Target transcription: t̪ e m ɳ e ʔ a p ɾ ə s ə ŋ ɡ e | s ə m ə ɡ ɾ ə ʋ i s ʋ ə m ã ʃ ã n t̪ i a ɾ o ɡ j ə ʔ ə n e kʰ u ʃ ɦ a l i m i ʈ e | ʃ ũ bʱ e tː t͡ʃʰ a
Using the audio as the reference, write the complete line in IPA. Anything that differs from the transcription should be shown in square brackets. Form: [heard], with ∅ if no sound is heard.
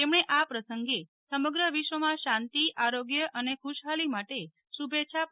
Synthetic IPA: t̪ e m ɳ e ʔ a p ɾ ə s ə ŋ ɡ e | s ə m ə ɡ ɾ ə ʋ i [ʃ] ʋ ə m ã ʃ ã n t̪ i a ɾ o ɡ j ə ʔ ə n e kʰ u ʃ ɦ a l i m [a] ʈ e | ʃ [u] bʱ e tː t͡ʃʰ a